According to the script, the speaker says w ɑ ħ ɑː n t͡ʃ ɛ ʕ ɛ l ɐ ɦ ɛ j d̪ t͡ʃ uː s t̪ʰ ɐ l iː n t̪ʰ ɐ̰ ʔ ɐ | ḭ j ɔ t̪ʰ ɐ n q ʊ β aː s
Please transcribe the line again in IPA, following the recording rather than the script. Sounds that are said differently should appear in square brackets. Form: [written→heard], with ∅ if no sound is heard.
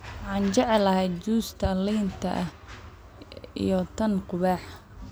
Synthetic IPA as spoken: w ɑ ħ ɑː n t͡ʃ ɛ ʕ ɛ l ɐ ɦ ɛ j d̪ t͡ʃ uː s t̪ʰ ɐ l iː n t̪ʰ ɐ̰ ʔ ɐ | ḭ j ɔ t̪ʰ ɐ n q ʊ β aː [s→ħ]